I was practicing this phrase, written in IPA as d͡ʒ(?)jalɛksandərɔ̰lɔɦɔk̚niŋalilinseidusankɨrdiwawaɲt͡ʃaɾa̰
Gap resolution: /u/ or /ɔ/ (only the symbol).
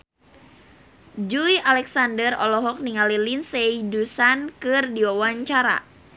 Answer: u